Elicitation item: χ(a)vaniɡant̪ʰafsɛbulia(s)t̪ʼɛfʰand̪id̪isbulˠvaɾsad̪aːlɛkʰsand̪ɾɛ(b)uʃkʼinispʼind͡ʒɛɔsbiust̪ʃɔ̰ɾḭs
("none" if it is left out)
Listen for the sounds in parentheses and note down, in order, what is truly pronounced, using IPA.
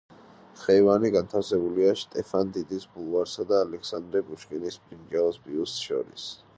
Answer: ɛ, ʃ, b

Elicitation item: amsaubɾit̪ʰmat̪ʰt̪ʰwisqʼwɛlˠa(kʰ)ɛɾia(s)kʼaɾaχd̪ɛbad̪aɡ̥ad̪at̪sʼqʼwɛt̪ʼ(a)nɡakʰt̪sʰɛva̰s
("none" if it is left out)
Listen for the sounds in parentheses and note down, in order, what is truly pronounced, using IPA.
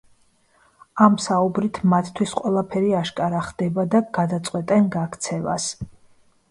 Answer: pʰ, ʃ, ɛ

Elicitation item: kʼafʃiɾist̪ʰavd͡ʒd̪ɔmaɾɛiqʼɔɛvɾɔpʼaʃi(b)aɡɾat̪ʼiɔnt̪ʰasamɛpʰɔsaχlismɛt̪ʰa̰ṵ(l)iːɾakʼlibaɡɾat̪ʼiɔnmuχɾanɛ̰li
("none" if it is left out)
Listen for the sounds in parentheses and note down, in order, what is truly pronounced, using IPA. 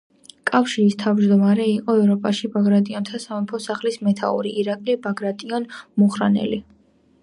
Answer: b, ɾ

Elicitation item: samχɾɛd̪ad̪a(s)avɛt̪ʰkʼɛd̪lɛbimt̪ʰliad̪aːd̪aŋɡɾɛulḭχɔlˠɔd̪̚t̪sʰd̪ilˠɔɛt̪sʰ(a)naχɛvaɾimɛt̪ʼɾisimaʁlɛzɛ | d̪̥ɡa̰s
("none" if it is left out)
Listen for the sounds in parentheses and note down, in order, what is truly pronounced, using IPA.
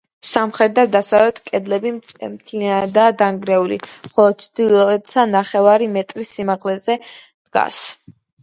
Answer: s, a

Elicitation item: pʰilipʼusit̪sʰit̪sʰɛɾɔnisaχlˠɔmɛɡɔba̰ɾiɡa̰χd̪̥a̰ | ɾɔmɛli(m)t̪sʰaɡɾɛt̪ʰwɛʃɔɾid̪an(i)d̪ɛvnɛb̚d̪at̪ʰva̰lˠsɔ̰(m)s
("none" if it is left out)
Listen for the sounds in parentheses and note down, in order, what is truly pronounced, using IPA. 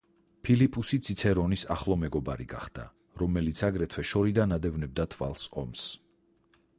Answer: none, a, m

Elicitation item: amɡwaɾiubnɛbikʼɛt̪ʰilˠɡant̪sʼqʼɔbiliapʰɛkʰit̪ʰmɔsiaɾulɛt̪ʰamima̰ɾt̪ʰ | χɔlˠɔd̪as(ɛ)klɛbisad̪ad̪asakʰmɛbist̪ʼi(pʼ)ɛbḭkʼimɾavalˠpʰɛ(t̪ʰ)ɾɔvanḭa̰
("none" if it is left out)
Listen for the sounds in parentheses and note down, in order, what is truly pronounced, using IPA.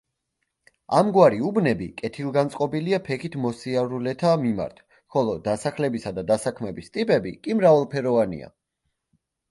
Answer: a, pʼ, none

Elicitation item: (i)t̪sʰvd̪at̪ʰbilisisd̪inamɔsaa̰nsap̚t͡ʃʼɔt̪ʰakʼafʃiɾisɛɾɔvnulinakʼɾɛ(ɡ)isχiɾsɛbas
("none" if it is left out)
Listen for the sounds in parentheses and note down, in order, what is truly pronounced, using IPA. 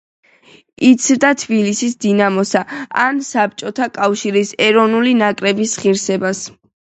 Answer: i, b

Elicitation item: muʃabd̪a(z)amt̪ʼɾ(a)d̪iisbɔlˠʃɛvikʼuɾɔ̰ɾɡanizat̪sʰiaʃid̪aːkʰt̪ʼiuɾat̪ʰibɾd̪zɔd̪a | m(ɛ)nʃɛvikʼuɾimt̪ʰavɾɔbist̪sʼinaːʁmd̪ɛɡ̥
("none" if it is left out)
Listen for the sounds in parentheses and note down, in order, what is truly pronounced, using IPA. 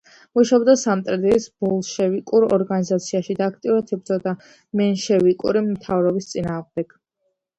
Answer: s, ɛ, ɛ

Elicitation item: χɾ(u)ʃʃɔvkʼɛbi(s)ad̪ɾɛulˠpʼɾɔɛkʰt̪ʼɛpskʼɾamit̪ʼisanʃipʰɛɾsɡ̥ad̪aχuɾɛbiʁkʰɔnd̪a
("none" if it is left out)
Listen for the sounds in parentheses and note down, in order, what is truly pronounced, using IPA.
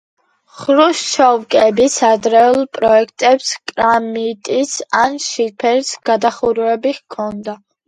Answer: u, s

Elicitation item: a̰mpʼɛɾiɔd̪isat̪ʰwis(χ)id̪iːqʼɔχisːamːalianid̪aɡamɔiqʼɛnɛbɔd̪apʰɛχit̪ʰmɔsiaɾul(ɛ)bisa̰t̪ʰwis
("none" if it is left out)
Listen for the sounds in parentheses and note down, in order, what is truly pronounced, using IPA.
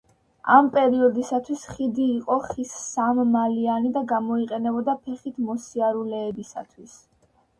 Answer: χ, ɛː

